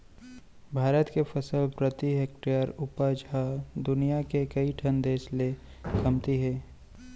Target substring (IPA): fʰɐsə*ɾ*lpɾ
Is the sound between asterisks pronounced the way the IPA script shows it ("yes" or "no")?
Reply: no